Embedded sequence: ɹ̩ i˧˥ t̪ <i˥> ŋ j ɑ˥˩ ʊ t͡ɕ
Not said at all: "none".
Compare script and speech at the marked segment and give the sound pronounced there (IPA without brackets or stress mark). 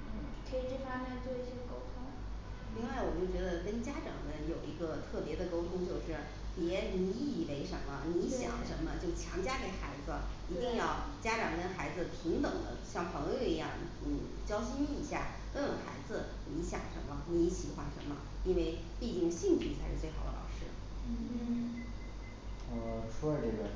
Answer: i˥˧